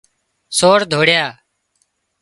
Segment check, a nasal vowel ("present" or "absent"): absent